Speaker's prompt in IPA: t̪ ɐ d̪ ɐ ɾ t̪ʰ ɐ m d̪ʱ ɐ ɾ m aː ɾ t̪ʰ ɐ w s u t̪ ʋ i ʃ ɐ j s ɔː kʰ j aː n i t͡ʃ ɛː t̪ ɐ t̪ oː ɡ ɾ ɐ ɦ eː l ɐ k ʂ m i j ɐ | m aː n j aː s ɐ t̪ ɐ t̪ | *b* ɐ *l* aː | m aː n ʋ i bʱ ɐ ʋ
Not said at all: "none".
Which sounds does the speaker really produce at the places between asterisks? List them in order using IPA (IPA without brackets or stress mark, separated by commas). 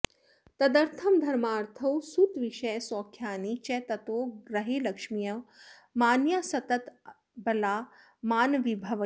b, l